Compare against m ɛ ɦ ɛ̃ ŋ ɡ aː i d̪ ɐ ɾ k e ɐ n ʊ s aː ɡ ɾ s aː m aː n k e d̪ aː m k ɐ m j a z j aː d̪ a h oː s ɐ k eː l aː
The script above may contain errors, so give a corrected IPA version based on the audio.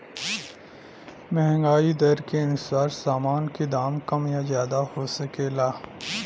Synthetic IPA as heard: m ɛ ɦ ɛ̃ ŋ ɡ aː i d̪ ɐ ɾ k e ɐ n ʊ s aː ɾ s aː m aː n k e d̪ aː m k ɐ m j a z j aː d̪ a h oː s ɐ k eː l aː

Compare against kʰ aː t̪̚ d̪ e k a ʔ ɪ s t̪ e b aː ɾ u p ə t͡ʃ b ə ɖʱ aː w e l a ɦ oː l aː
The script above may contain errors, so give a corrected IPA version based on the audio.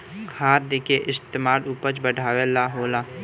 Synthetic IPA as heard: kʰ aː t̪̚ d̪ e k e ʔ ɪ s t̪ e m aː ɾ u p ə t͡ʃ b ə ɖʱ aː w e l a ɦ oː l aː

